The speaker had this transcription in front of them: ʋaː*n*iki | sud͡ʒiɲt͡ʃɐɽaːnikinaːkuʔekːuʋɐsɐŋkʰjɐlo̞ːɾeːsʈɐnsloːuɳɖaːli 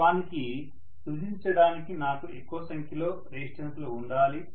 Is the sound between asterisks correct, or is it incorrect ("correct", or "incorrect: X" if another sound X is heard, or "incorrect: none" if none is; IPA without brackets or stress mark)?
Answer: correct